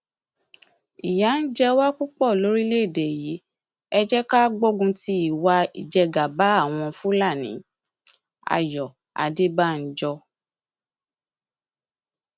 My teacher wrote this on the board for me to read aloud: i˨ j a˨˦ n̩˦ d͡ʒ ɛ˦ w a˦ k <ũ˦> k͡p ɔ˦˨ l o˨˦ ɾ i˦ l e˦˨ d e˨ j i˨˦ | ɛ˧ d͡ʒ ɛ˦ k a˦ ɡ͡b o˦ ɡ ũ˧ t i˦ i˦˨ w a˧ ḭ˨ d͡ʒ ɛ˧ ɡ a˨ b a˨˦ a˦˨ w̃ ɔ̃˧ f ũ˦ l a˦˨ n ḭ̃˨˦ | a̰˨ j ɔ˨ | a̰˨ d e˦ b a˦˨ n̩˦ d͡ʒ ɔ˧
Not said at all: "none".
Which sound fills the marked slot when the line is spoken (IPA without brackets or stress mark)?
u˦